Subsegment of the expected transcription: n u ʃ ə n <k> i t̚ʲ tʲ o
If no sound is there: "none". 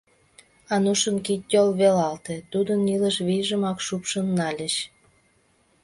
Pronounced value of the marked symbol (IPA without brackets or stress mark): k